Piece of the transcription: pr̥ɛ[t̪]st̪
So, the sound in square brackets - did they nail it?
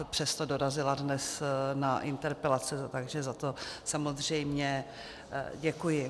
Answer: no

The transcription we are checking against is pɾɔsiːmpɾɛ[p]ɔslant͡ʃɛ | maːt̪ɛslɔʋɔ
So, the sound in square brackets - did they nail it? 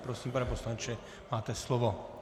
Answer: yes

